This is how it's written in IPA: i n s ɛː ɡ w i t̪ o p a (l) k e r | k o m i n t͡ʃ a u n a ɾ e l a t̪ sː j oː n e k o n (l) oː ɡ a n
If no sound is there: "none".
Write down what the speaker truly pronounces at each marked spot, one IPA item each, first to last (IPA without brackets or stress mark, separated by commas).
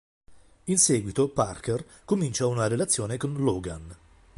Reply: r, l